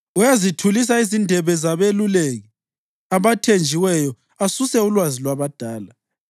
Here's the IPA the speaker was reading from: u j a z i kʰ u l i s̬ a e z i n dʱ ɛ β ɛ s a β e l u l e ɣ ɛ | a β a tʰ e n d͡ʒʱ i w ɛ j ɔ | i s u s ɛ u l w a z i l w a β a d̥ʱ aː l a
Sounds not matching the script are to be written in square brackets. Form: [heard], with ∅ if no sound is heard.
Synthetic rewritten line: u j a z i [tʰ] u l i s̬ a [i] z i n dʱ ɛ β ɛ [z] a β e l u l e ɣ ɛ | a β a tʰ e n d͡ʒʱ i w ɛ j ɔ | [a] s u s ɛ u l w a z i l w a β a d̥ʱ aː l a